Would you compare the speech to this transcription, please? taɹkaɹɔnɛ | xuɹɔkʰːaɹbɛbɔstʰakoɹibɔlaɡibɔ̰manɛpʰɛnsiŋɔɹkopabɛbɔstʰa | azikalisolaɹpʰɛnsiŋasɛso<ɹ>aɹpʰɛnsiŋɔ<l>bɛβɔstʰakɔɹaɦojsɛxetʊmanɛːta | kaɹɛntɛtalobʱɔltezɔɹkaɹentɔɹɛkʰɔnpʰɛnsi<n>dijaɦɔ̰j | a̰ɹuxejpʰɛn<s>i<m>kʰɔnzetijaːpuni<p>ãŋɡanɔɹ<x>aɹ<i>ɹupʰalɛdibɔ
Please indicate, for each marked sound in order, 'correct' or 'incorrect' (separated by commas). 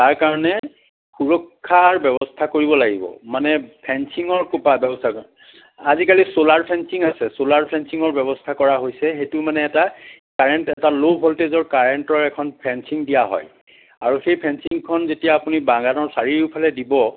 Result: incorrect, incorrect, incorrect, correct, incorrect, incorrect, incorrect, correct